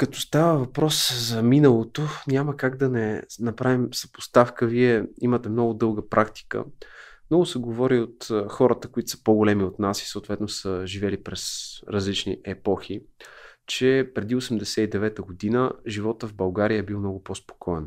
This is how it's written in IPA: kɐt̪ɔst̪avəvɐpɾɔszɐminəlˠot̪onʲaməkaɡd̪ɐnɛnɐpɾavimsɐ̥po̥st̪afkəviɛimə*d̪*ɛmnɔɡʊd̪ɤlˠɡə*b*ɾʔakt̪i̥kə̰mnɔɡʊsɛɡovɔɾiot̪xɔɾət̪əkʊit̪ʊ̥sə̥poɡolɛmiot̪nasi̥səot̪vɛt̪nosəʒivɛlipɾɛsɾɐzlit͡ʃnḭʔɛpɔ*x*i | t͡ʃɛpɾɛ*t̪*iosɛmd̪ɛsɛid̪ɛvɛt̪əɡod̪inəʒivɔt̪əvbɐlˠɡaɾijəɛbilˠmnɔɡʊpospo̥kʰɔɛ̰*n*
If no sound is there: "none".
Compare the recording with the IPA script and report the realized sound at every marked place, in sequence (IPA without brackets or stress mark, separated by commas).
t̪, p, x, d̪, n